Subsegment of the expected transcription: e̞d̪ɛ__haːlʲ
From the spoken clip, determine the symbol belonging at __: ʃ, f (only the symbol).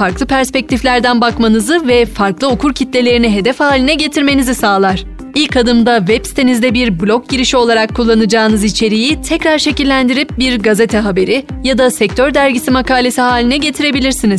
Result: f